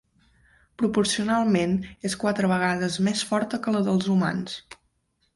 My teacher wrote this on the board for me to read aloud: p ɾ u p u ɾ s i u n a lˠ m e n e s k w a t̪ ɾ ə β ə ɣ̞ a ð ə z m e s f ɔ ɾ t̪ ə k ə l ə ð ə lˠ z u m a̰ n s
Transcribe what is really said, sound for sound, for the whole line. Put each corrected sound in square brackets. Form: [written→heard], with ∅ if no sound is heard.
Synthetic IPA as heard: p ɾ u p u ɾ s i u n a lˠ m e n e s k w a t̪ ɾ ə β ə ɣ̞ a ð ə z m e s f ɔ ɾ t̪ ə k ə l ə ð ə lˠ z u m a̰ n s